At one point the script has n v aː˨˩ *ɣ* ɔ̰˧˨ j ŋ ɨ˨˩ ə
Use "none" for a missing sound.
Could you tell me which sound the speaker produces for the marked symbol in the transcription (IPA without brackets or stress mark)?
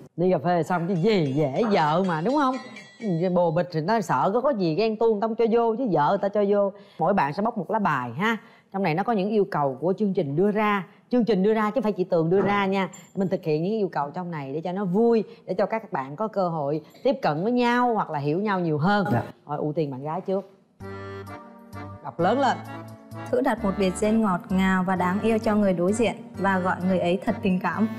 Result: ɣ